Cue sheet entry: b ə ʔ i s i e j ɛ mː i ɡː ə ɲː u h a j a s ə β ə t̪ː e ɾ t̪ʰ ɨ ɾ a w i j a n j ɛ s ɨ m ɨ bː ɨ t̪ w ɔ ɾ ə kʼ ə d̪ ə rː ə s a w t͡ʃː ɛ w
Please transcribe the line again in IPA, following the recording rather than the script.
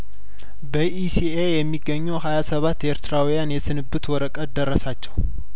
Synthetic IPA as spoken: b ə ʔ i s i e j ɛ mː i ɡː ə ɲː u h a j a s ə β a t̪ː e ɾ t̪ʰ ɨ ɾ a w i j a n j ɛ s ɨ n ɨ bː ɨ t̪ w ɔ ɾ ə kʼ ə d̪ ə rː ə s a t͡ʃː ɛ w

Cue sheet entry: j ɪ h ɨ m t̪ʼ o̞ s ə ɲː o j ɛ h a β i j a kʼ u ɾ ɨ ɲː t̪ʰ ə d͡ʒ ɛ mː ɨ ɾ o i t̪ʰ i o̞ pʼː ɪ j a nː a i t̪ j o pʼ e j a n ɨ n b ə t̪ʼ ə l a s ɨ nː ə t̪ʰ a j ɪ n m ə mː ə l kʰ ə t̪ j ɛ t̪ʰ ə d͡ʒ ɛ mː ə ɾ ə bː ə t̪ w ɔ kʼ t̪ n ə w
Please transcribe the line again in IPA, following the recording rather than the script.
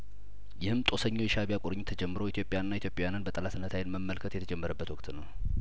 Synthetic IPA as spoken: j ɪ h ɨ m t̪ʼ o̞ s ə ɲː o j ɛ ʃ a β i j a kʼ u ɾ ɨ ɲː t̪ʰ ə d͡ʒ ɛ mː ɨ ɾ o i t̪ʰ j o̞ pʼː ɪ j a nː a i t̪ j o pʼ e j a n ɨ n b ə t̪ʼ ə l a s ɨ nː ə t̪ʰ a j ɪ n m ə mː ə l kʰ ə t̪ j ɛ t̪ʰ ə d͡ʒ ɛ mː ə ɾ ə bː ə t̪ w ɔ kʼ t̪ n ə w

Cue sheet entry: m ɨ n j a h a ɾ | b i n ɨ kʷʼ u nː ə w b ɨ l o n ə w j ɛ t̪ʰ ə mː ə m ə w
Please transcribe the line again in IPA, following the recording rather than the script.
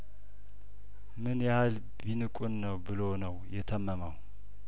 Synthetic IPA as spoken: m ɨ n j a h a l | b i n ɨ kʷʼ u nː ə w b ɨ l o n ə w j ɛ t̪ʰ ə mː ə m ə w

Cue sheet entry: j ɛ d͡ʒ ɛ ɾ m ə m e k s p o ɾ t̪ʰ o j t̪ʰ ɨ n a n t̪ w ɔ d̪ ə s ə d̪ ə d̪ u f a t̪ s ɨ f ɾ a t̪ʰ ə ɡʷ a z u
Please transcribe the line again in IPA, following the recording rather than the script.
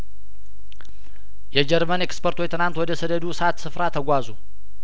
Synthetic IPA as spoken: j ɛ d͡ʒ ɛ ɾ m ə n e k s p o ɾ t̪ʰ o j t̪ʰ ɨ n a n t̪ w ɔ d̪ ə s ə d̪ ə d̪ u s a t̪ s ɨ f ɾ a t̪ʰ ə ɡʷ a z u

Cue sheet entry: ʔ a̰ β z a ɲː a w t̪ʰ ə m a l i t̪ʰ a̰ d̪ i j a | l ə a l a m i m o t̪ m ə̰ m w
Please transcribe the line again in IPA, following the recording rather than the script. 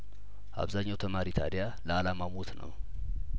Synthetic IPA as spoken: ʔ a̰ β z a ɲː a w t̪ʰ ə m a ɾ i t̪ʰ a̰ d̪ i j a | l ə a l a m a m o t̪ n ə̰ w

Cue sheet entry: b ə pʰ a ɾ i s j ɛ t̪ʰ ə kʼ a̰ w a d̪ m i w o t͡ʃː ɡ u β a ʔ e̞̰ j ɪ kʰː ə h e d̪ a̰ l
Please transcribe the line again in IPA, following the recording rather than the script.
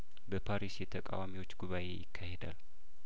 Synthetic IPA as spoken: b ə pʰ a ɾ i s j ɛ t̪ʰ ə kʼ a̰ w a m i w o t͡ʃː ɡ u β a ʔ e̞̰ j ɪ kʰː a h e d̪ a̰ l

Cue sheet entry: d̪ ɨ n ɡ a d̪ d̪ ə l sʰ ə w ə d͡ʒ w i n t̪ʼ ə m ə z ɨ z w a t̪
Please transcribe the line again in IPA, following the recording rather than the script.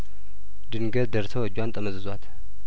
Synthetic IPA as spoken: d̪ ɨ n ɡ ə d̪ d̪ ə ɾ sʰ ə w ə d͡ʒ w a n t̪ʼ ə m ə z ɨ z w a t̪

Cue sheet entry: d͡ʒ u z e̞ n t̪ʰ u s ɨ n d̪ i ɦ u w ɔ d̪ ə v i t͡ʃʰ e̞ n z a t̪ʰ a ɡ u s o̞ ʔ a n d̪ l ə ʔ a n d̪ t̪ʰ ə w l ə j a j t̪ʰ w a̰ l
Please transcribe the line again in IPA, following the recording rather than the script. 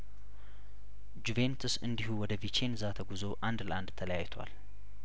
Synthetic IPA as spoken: d͡ʒ u v e̞ n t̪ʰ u s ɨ n d̪ i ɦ u w ɔ d̪ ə v i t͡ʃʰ e̞ n z a t̪ʰ ə ɡ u z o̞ ʔ a n d̪ l ə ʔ a n d̪ t̪ʰ ə l ə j a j t̪ʰ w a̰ l

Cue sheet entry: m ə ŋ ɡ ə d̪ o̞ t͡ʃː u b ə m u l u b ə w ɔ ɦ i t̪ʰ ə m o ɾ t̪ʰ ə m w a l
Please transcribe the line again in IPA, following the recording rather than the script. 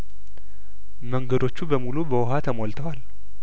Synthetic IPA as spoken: m ə ŋ ɡ ə d̪ o̞ t͡ʃː u b ə m u l u b ə w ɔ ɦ a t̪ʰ ə m o l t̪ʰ ə w a l

